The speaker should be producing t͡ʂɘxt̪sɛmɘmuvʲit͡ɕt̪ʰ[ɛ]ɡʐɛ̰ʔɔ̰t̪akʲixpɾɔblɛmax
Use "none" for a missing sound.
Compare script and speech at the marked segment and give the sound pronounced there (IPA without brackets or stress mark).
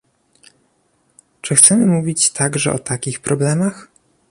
a